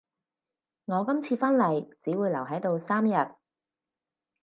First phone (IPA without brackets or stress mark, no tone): ŋ